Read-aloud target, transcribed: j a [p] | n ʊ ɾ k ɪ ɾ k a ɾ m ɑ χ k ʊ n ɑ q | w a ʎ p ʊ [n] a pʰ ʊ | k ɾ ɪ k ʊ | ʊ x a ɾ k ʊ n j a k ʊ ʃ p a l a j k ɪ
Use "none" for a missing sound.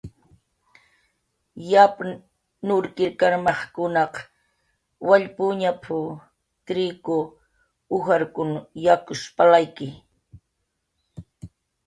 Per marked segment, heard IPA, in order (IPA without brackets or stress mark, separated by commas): p, ɲ